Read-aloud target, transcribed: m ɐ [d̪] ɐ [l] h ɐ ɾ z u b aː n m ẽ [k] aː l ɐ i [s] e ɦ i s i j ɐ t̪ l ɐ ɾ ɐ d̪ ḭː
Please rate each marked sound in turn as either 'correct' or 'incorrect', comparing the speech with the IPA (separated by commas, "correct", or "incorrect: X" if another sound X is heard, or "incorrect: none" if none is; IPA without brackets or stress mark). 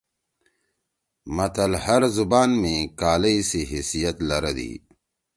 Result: incorrect: t̪, correct, correct, correct